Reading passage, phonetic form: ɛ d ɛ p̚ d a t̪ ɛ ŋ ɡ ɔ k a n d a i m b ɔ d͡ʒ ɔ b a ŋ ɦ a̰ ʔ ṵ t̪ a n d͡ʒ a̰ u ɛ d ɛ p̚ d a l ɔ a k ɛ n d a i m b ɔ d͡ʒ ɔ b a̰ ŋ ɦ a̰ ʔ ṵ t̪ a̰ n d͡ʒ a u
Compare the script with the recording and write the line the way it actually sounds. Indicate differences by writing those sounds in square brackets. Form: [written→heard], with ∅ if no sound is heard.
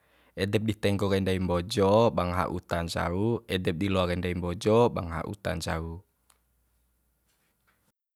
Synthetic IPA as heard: ɛ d ɛ p̚ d [a→i] t̪ ɛ ŋ ɡ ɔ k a n d a i m b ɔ d͡ʒ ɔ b a ŋ ɦ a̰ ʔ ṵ t̪ a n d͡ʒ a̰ u ɛ d ɛ p̚ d [a→i] l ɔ a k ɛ n d a i m b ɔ d͡ʒ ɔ b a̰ ŋ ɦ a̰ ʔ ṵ t̪ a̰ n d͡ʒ a u